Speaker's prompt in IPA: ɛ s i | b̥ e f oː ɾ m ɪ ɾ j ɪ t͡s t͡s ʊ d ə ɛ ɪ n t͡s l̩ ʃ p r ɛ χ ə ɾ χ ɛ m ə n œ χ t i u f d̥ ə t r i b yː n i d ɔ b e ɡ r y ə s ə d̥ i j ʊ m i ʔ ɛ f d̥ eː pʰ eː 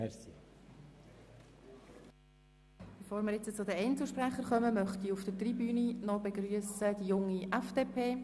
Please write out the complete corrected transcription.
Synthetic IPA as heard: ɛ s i | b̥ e f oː ɾ m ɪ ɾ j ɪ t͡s t͡s ʊ d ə ɛ ɪ n t͡s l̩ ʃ p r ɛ χ ə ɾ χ œ m ə m œ χ t i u f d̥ ə t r i b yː n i n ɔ b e ɡ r y ə s ə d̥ i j ʊ ŋ i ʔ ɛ f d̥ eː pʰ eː